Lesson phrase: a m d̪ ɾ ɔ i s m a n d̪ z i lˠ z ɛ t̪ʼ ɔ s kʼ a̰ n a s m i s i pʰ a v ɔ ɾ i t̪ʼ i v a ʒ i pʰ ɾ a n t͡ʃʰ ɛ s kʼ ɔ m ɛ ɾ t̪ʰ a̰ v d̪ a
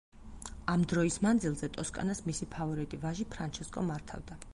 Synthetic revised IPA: a m d̪ ɾ ɔ i s m a n d̪ z i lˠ z ɛ t̪ʼ ɔ s kʼ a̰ n a s m i s i pʰ a v ɔ ɾ i t̪ʼ i v a ʒ i pʰ ɾ a n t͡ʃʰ ɛ s kʼ ɔ m a ɾ t̪ʰ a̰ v d̪ a